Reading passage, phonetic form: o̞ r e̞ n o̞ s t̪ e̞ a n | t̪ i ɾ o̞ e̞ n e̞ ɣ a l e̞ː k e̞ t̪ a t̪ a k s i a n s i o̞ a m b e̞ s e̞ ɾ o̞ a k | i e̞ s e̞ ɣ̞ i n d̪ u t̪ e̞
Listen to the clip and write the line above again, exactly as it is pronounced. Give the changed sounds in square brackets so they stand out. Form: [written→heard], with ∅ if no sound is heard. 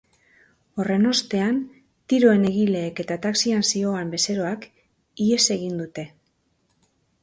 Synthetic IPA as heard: o̞ r e̞ n o̞ s t̪ e̞ a n | t̪ i ɾ o̞ e̞ n e̞ ɣ [a→i] l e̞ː k e̞ t̪ a t̪ a k s i a n s i o̞ a m b e̞ s e̞ ɾ o̞ a k | i e̞ s e̞ ɣ̞ i n d̪ u t̪ e̞